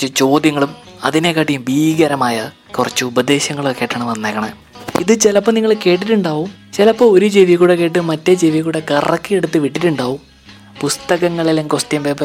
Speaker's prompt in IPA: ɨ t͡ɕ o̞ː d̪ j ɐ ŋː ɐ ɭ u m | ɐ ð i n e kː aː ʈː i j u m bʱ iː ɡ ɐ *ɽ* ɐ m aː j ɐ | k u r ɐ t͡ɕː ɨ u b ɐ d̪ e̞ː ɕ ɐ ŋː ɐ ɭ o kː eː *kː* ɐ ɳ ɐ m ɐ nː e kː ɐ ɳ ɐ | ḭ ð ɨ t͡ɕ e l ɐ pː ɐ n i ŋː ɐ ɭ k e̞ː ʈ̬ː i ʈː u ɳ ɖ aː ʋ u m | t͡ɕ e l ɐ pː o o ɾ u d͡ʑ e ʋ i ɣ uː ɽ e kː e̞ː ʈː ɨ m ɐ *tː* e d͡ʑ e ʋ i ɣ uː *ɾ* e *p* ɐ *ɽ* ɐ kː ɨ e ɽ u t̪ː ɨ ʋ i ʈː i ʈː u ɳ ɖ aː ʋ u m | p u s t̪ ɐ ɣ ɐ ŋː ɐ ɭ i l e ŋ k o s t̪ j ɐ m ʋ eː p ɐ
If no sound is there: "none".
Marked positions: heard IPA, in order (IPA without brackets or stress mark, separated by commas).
ɾ, ʈː, tː, ɽ, k, r